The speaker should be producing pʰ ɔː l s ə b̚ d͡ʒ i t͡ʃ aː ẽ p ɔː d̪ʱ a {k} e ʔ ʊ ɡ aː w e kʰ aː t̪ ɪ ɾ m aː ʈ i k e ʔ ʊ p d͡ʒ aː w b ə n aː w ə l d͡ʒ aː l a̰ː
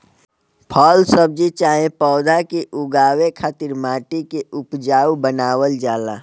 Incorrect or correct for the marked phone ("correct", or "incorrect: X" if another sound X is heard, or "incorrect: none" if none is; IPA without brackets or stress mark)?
correct